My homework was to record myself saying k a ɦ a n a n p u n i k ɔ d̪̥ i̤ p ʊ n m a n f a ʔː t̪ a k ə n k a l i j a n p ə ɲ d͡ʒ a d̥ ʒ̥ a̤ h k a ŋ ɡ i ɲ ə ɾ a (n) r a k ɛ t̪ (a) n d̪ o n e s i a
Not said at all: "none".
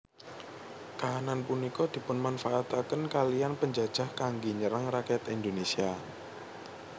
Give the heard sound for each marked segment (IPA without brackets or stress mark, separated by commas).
ŋ, i